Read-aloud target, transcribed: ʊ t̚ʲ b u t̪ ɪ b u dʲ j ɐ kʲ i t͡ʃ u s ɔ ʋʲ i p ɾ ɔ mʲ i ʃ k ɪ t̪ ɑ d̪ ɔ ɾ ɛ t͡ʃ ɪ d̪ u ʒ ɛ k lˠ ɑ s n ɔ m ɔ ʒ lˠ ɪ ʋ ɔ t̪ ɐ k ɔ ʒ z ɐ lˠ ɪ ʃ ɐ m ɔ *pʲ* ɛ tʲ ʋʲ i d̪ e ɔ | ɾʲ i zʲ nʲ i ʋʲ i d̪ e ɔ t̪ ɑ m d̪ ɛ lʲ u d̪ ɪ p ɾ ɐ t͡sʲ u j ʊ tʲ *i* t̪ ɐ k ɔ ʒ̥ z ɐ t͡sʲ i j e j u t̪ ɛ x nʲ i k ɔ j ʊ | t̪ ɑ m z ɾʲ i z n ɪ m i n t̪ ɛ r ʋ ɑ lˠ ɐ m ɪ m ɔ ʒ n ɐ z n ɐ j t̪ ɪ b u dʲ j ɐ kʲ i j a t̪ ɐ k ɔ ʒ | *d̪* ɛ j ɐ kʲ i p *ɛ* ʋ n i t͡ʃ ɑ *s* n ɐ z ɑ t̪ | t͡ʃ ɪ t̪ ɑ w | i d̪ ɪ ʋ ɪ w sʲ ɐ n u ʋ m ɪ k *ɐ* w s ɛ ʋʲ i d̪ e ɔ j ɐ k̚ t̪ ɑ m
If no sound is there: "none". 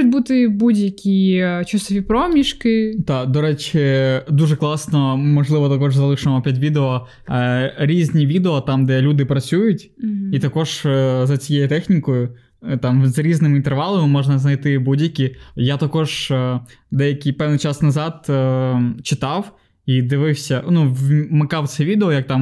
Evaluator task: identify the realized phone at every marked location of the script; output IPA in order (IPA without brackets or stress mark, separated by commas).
pʲ, i, d̪, ɛ, s, ɑ